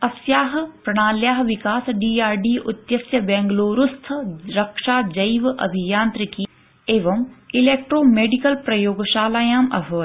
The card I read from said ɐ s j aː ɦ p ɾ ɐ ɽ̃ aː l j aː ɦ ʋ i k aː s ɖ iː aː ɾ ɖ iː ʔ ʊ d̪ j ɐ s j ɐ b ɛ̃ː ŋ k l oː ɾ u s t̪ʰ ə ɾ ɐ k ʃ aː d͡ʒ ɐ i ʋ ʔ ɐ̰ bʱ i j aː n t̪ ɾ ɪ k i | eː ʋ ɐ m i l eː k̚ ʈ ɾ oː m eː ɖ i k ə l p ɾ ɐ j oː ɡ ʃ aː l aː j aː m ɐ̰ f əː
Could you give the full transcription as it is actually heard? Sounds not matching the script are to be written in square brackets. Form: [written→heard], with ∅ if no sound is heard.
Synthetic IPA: ɐ s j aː ɦ p ɾ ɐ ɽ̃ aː l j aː ɦ ʋ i k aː s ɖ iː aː ɾ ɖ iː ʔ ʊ [d̪→t̪] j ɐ s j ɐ b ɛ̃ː ŋ [k→ɡ] l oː ɾ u s t̪ʰ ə ɾ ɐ k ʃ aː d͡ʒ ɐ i ʋ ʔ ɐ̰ bʱ i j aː n t̪ ɾ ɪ k i | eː ʋ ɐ m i l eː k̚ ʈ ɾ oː m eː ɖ i k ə l p ɾ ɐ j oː ɡ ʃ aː l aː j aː m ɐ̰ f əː